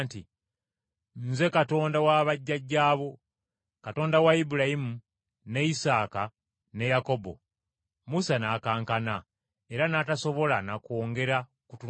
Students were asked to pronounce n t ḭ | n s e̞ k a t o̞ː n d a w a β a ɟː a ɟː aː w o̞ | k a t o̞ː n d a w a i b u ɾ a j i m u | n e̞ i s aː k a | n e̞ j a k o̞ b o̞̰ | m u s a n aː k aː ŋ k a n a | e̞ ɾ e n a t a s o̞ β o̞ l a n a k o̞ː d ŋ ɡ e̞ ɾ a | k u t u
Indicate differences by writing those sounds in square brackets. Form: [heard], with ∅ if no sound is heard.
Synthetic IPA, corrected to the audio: n t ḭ | n [z] e̞ k a t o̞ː n d a w a β a ɟː a ɟː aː [β] o̞ | k a t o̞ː n d a w a i b u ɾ a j i m u | n e̞ i s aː k a | n e̞ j a k o̞ b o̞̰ | m u s a n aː k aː ŋ k a n a | e̞ ɾ [a] n a t a s o̞ β o̞ l a n a k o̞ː [∅] ŋ ɡ e̞ ɾ a | k u t u

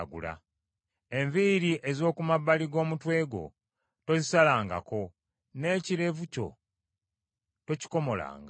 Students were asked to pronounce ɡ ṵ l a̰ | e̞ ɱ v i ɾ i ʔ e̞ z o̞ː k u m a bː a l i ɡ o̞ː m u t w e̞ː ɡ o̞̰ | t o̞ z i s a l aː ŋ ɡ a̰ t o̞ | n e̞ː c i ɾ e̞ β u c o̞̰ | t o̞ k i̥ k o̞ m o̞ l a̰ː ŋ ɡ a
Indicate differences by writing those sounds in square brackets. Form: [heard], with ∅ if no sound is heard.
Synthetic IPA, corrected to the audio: ɡ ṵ l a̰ | e̞ ɱ v i ɾ i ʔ e̞ z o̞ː k u m a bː a l i ɡ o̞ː m u t w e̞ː ɡ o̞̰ | t o̞ z i s a l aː ŋ ɡ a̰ [k] o̞ | n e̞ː c i ɾ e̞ [v] u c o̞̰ | t o̞ [c] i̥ k o̞ m o̞ l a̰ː ŋ ɡ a

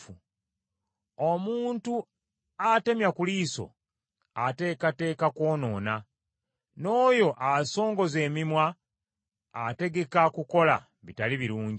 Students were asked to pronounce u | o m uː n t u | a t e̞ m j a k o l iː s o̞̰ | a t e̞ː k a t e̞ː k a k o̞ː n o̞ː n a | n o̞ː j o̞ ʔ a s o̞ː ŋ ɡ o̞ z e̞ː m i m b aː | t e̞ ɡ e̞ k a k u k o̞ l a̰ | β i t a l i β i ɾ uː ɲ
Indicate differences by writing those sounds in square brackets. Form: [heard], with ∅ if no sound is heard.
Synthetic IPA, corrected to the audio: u | o m uː n t u | a t e̞ m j a k [u] l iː s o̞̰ | a t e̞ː k a t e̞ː k a k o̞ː n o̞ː n a | n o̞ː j o̞ ʔ a s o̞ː ŋ ɡ o̞ z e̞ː m i m [w] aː | t e̞ ɡ e̞ k a k u k o̞ l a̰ | β i t a l i β i ɾ uː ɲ

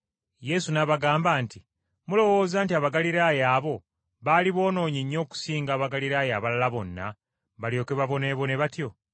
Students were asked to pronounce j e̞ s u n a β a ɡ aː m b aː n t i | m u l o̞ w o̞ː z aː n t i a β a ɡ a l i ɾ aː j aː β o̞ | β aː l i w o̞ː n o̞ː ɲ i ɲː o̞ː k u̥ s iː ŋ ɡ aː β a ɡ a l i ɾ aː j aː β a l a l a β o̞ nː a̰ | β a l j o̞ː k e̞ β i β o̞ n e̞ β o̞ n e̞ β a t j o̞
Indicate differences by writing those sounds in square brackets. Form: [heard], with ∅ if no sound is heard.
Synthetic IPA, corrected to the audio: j e̞ s u n a β a ɡ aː m b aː n t i | m u l o̞ w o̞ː z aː n t i a β a ɡ a l i ɾ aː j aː β o̞ | β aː l i [β] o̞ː n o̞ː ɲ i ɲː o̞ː k u̥ s iː ŋ ɡ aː β a ɡ a l i ɾ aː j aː β a l a l a β o̞ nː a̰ | β a l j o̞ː k e̞ β [a] β o̞ n e̞ β o̞ n e̞ β a t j o̞

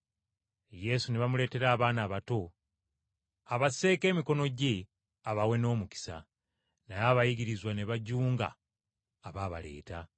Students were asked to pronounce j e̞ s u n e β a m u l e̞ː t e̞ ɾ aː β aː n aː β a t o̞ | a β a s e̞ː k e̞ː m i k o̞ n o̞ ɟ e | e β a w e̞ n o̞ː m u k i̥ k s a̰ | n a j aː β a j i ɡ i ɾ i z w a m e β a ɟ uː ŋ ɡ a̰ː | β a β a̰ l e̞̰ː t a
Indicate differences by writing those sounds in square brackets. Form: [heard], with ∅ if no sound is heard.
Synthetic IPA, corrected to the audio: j e̞ s u n e β a m u l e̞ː t e̞ ɾ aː β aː n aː β a t o̞ | a β a s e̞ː k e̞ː m i k o̞ n o̞ ɟ e | [a] β a w e̞ n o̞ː m u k i̥ [∅] s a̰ | n a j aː β a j i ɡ i ɾ i z w a [n] e β a ɟ uː ŋ ɡ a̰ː | β a β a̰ l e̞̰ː t a

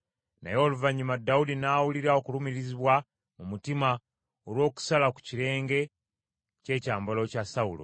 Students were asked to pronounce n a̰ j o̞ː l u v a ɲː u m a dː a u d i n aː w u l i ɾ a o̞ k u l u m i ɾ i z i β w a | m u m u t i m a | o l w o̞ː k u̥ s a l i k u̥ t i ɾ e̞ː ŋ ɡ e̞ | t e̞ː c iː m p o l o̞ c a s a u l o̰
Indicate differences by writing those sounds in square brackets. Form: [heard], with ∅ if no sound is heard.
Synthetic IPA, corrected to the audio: n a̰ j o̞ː l u v a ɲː u m a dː a u d i n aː w u l i ɾ a o̞ k u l u m i ɾ i z i β w a | m u m u t i m a | o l w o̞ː k u̥ s a l [a] k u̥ [c] i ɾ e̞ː ŋ ɡ e̞ | [c] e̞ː c [aː] m [b] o l o̞ c a s a u l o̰

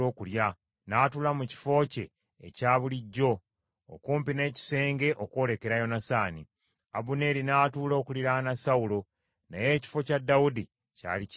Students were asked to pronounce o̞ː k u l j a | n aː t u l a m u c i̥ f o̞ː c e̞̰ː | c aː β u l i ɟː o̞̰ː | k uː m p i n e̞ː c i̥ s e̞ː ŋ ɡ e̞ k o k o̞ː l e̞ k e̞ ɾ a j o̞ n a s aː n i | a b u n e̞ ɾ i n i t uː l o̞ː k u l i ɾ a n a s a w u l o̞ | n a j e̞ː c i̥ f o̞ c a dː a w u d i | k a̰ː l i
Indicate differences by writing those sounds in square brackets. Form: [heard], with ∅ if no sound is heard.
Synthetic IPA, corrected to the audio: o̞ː k u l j a | n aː t u l a m u c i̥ f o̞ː c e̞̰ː | c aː β u l i ɟː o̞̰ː | k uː m p i n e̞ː c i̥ s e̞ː ŋ ɡ e̞ [ʔ] o k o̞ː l e̞ k e̞ ɾ a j o̞ n a s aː n i | a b u n e̞ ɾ i n [a] t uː l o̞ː k u l i ɾ a n a s a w u l o̞ | n a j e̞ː c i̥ f o̞ c a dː a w u d i | [c] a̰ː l i

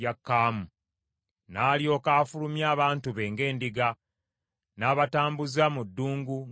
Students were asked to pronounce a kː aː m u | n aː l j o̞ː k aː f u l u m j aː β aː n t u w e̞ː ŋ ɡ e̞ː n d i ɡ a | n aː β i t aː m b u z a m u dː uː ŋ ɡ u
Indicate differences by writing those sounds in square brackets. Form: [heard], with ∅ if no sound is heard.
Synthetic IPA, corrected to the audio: a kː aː m u | n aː l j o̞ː k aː f u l u m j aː β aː n t u [β] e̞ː ŋ ɡ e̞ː n d i ɡ a | n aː β [a] t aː m b u z a m u dː uː ŋ ɡ u

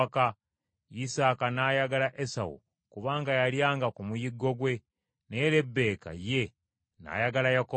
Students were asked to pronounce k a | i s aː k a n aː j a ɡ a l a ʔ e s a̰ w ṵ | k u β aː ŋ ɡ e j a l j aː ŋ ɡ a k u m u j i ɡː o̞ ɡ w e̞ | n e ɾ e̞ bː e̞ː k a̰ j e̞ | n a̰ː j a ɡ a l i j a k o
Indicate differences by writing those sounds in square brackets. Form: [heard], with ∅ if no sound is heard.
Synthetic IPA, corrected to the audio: k a | i s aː k a n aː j a ɡ a l a ʔ e s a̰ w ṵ | k u β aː ŋ ɡ [a] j a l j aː ŋ ɡ a k u m u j i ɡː o̞ ɡ w e̞ | n e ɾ e̞ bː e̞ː k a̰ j e̞ | n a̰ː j a ɡ a l [a] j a k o

